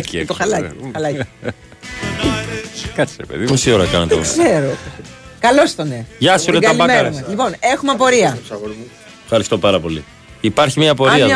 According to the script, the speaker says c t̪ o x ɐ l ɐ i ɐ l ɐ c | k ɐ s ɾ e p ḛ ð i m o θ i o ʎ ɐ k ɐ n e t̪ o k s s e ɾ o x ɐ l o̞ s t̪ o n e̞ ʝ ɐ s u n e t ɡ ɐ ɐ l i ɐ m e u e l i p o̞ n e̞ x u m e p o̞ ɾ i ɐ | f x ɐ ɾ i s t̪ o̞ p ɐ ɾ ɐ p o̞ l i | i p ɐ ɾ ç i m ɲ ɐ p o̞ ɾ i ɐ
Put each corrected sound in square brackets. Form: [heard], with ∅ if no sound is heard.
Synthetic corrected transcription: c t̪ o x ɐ l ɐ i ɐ l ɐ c | k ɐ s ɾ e p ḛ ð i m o [s] i o [ɾ] ɐ k ɐ n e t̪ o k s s e ɾ o [k] ɐ l o̞ s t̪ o n e̞ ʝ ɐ s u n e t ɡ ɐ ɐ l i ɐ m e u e l i p o̞ n e̞ x u m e p o̞ ɾ i ɐ | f x ɐ ɾ i s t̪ o̞ p ɐ ɾ ɐ p o̞ l i | i p ɐ ɾ ç i m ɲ ɐ p o̞ ɾ i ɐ